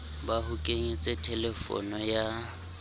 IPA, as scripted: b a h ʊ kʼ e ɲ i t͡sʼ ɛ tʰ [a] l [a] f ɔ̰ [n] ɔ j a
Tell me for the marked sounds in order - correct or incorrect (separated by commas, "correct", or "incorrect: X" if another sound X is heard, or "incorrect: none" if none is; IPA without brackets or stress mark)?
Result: incorrect: ɛ, incorrect: ɛ, correct